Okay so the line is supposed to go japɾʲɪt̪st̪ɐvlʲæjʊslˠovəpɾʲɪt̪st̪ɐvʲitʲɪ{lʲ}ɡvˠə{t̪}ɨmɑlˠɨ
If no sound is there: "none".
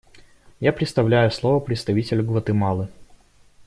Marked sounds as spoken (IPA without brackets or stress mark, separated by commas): lʲ, t̪